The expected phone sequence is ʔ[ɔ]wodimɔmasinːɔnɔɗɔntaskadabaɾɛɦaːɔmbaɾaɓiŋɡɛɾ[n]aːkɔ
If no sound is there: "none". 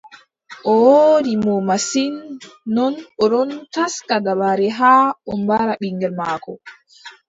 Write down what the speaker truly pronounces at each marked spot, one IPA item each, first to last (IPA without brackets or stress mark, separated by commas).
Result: ɔ, m